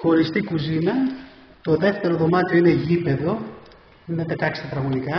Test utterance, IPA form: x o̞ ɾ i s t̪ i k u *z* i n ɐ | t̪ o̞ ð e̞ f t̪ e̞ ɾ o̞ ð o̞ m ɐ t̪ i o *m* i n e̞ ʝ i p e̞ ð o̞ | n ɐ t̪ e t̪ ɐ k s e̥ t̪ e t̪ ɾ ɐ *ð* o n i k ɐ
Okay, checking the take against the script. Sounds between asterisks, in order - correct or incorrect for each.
correct, incorrect, incorrect

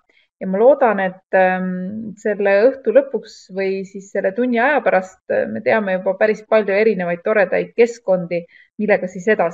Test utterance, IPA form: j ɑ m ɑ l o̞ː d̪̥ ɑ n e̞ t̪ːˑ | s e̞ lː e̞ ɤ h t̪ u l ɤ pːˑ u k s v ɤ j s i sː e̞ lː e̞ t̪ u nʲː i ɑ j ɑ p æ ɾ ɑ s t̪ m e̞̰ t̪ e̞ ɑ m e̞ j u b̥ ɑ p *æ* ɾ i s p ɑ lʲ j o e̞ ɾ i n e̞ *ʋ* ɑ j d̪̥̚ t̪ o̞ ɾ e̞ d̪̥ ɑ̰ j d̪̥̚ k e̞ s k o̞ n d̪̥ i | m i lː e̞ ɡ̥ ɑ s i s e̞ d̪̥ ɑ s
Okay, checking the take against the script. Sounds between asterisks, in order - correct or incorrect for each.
correct, incorrect

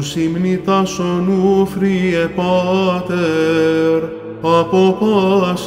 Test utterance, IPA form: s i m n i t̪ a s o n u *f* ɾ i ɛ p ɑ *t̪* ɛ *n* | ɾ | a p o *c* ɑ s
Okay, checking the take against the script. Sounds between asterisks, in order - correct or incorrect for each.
correct, correct, incorrect, incorrect

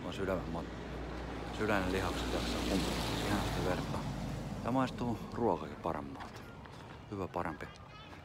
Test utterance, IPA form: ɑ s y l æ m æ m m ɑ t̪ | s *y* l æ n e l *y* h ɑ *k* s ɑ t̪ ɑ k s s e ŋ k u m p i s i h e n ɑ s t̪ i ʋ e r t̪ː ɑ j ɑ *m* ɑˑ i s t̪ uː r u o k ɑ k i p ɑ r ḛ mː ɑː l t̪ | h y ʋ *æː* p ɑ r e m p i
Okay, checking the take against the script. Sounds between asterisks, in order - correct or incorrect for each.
correct, incorrect, correct, correct, incorrect

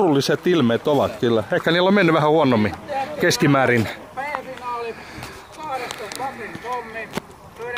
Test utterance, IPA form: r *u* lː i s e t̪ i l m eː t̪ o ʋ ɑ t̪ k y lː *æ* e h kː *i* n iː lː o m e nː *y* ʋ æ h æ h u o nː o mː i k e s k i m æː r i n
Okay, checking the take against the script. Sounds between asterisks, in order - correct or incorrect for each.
correct, correct, incorrect, correct

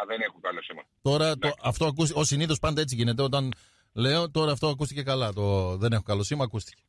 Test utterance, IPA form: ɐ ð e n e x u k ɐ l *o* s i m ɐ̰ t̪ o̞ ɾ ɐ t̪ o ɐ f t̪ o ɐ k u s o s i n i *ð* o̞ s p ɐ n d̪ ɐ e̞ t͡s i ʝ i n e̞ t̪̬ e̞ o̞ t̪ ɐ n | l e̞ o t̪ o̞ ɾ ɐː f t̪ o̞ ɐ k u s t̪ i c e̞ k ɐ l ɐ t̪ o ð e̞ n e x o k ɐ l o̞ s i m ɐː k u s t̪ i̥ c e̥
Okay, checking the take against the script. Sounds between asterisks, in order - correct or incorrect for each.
correct, incorrect

